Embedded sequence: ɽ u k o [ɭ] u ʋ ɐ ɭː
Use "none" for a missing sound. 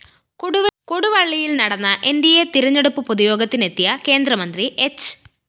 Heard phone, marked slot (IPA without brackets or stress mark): ɽ